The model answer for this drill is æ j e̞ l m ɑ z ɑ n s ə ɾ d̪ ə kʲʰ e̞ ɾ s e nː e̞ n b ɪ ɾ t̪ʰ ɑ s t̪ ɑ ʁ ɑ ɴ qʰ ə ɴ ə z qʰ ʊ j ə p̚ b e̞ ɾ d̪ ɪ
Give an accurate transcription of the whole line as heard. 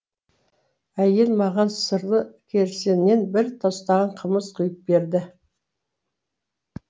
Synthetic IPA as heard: æ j e̞ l m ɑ ʁ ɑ n s ə ɾ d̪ ə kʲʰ e̞ ɾ s e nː e̞ n b ɪ ɾ t̪ʰ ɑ s t̪ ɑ ʁ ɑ ɴ qʰ ə m ə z qʰ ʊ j ə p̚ b e̞ ɾ d̪ ɪ